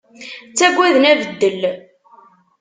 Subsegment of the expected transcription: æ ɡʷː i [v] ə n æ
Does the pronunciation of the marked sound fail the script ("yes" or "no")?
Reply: yes